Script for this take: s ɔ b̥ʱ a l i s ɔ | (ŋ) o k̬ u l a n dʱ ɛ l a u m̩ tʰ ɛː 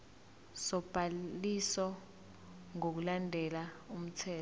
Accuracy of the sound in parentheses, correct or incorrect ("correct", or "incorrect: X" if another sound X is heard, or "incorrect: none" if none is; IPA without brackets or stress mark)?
correct